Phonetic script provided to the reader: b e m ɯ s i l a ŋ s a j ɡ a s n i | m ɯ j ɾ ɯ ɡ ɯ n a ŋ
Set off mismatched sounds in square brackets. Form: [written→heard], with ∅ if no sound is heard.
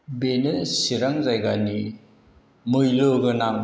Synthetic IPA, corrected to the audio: b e [m→n] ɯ s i [l→ɾ] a ŋ [s→z] a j ɡ a [s→∅] n i | m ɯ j [ɾ→l] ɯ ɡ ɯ n a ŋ